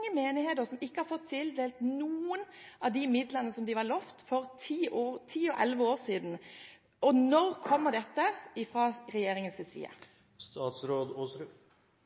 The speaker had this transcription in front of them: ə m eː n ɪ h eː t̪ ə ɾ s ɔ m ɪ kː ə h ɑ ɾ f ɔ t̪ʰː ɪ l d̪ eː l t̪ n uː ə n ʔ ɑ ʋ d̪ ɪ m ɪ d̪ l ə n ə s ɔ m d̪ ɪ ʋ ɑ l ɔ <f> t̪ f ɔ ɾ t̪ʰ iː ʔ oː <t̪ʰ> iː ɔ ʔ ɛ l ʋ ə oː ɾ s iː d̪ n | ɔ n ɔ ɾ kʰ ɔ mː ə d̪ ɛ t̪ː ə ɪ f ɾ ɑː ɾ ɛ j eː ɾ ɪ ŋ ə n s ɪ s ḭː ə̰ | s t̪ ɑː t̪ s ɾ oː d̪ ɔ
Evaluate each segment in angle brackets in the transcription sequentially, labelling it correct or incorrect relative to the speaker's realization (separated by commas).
correct, correct